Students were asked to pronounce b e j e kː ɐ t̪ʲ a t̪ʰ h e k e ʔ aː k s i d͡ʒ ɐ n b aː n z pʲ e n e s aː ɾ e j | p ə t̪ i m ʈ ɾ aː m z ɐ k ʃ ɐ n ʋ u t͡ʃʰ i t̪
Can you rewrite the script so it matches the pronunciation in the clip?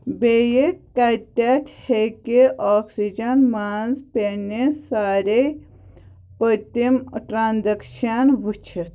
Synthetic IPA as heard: b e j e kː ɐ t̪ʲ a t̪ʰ h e k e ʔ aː k s i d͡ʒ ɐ n m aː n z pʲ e n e s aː ɾ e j | p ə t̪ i m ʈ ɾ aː n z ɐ k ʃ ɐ n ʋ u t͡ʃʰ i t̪